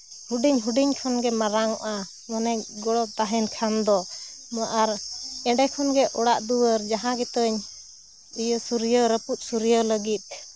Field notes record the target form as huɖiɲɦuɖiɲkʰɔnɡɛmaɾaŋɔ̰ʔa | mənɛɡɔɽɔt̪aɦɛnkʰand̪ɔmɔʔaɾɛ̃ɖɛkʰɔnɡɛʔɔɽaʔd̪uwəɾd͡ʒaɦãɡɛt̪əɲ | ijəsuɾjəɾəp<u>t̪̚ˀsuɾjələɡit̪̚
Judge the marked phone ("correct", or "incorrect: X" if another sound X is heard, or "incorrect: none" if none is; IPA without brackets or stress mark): correct